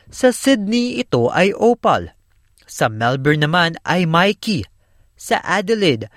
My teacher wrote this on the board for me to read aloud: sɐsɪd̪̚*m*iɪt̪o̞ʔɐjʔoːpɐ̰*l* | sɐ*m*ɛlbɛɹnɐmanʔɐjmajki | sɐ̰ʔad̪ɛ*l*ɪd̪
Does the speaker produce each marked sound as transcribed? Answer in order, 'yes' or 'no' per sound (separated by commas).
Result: no, yes, yes, yes